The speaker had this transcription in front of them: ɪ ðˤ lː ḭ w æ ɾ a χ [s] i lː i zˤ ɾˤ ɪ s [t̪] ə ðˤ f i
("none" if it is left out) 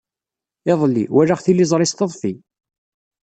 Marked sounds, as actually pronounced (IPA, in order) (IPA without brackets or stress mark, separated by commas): θ, t̪